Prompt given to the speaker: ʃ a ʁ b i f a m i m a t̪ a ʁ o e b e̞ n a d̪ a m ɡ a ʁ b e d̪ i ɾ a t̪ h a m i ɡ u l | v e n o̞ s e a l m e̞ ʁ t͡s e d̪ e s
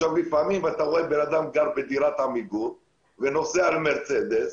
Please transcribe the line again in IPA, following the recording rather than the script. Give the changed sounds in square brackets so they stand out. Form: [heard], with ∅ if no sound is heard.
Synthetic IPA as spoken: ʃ a [v] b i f a m i m a t̪ a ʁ o e b e̞ n a d̪ a m ɡ a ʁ b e d̪ i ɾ a t̪ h a m i ɡ u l | v e n o̞ s e a l m e̞ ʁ t͡s e d̪ e s

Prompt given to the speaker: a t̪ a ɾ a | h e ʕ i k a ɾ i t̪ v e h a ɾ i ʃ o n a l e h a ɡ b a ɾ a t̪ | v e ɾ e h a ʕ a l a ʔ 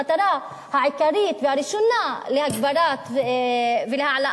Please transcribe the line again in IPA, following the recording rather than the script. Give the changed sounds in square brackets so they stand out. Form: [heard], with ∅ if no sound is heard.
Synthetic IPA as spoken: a t̪ a ɾ a | h [a] ʕ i k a ɾ i t̪ v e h a ɾ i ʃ o n a l e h a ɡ b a ɾ a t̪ | v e [l] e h a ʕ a l a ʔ

